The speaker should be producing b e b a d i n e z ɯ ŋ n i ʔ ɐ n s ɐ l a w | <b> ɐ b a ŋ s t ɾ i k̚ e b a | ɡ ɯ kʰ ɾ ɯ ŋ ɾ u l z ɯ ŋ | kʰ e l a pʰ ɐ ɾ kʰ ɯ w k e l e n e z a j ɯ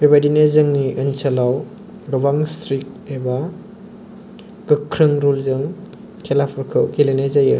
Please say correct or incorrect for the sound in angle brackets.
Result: incorrect: ɡ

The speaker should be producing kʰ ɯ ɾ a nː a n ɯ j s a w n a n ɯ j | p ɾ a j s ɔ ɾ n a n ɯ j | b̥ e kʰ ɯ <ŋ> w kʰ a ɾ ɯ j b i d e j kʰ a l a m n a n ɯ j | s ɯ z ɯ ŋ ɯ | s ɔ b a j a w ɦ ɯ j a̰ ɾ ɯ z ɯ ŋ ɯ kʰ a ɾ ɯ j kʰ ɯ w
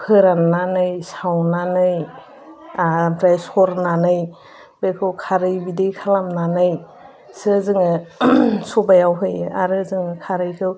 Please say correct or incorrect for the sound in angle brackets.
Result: incorrect: none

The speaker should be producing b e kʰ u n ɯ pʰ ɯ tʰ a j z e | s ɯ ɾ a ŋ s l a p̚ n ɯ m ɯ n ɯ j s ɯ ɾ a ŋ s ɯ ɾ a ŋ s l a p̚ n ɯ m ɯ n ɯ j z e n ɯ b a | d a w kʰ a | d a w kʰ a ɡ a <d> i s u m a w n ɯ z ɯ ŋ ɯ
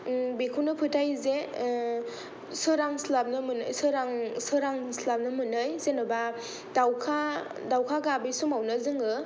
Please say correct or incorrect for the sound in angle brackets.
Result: incorrect: b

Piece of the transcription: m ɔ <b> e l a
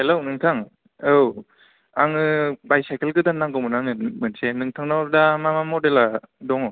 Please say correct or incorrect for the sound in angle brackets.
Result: incorrect: d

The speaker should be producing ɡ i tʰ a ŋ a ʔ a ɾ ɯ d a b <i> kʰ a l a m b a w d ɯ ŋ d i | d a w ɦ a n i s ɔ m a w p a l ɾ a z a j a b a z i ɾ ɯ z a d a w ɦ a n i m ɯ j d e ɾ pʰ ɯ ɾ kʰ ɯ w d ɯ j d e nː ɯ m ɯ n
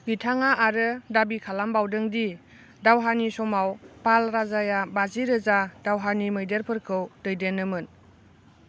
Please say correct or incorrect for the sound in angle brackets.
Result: correct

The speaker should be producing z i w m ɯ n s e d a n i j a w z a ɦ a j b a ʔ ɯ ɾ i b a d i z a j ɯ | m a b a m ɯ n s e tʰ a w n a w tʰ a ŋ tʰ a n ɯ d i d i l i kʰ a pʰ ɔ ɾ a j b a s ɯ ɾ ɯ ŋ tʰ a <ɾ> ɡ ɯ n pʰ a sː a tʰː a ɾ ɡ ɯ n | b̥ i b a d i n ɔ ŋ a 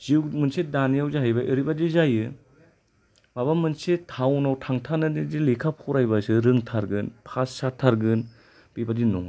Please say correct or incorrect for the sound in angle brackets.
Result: correct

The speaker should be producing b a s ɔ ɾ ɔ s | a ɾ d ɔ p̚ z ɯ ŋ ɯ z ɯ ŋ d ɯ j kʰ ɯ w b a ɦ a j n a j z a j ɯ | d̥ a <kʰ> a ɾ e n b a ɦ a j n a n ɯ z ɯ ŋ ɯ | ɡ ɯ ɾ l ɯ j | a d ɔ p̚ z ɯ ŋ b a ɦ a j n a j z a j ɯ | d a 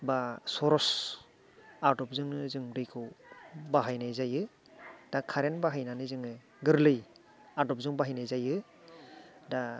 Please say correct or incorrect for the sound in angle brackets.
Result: correct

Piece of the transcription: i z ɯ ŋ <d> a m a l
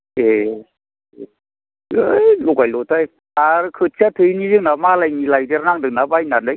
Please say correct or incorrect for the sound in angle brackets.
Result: incorrect: n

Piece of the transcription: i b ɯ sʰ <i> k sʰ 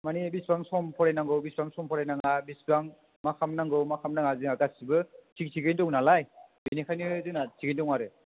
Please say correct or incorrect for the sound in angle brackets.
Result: correct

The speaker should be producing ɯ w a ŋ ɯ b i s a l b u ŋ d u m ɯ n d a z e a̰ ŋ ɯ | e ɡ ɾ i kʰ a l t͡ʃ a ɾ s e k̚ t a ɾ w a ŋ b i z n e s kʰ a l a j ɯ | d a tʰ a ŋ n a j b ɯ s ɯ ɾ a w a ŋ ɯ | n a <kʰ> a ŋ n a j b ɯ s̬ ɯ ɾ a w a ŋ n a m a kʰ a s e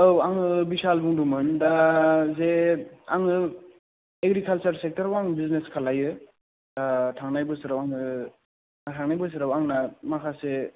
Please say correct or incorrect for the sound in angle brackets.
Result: incorrect: tʰ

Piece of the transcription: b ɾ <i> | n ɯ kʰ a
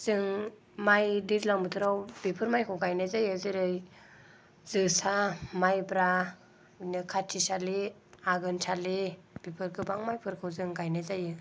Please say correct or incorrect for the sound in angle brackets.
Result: incorrect: a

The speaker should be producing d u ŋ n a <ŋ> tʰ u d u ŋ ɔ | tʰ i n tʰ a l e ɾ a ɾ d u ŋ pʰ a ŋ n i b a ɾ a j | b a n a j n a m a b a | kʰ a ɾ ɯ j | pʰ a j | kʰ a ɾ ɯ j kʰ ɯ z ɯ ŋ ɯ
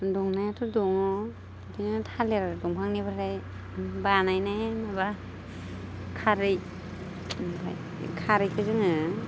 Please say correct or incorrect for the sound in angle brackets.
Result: incorrect: none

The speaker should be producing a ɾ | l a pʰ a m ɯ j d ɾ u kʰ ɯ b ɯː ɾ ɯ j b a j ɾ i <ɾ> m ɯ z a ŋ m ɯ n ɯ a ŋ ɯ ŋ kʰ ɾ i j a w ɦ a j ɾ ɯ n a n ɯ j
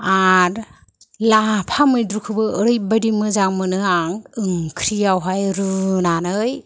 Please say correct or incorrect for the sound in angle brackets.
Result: incorrect: none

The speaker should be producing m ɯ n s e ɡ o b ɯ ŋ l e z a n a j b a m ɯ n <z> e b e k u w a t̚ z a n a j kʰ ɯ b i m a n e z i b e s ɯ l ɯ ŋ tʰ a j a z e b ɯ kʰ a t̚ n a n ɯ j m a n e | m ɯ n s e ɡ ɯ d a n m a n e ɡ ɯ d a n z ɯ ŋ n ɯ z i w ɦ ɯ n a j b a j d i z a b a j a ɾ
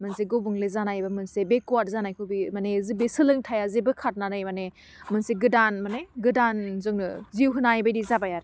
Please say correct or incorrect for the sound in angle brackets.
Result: incorrect: s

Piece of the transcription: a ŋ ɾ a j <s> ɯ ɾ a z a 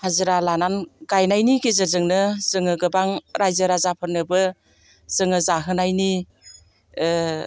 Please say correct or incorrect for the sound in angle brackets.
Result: incorrect: z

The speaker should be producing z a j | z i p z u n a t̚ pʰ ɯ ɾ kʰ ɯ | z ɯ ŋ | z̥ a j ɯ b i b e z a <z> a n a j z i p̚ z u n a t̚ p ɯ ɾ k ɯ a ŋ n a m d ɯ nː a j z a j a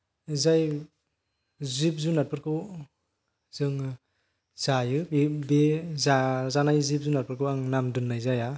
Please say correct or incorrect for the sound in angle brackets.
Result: correct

